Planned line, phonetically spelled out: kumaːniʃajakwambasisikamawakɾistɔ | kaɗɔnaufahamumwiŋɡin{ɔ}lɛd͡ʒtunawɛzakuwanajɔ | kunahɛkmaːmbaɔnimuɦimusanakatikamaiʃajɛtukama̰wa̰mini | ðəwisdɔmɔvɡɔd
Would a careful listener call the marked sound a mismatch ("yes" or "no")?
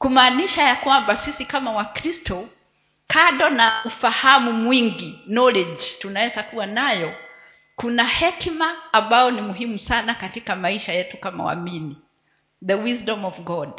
no